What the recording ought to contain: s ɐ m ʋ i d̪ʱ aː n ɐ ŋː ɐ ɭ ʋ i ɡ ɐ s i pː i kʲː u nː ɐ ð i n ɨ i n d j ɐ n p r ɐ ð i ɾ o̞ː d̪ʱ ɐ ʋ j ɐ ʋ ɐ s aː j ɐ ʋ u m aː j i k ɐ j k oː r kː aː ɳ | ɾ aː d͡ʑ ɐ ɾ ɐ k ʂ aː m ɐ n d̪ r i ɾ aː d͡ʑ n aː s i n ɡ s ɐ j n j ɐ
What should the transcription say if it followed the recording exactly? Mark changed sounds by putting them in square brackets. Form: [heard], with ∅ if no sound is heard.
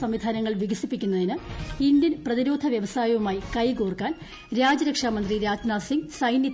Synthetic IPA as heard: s ɐ m ʋ i d̪ʱ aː n ɐ ŋː ɐ ɭ ʋ i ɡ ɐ s i pː i kʲː u nː ɐ ð i n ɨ i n d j ɐ n p r ɐ ð i ɾ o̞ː d̪ʱ ɐ ʋ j ɐ ʋ ɐ s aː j ɐ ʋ u m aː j i k ɐ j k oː r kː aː [n] | ɾ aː d͡ʑ ɐ ɾ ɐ k ʂ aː m ɐ n d̪ r i ɾ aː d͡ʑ n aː s i [ŋ] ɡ s ɐ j n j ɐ